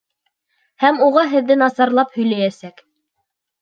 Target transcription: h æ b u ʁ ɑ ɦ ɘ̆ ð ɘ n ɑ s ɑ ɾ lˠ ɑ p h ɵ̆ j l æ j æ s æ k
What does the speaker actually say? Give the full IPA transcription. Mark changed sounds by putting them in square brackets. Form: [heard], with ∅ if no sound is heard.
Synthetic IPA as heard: h æ [m] u ʁ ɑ ɦ ɘ̆ [ðː] ɘ n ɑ s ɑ ɾ lˠ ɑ p h ɵ̆ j l æ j æ s æ k